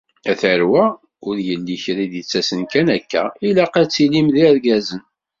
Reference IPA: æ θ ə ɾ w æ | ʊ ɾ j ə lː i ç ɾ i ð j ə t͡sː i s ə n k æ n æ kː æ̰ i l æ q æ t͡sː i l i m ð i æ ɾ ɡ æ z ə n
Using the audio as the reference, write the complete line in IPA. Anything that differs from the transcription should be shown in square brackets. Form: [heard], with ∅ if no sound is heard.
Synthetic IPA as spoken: æ θ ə ɾ w æ | ʊ ɾ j ə lː i ç ɾ i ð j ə t͡sː [æ] s ə n k æ n æ kː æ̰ i l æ q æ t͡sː i l i m ð i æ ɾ ɡ æ z ə n